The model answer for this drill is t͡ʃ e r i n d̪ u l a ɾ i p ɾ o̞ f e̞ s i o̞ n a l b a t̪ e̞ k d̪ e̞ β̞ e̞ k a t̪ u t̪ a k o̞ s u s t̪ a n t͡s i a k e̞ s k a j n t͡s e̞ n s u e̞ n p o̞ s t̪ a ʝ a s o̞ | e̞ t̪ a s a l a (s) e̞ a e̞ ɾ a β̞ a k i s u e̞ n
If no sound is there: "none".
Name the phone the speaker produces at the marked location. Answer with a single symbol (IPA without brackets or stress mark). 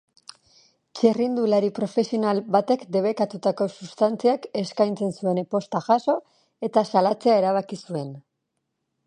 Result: t͡s